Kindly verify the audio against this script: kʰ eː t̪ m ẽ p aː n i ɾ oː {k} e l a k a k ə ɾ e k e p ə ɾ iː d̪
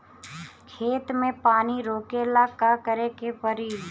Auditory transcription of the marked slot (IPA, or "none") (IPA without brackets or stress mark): k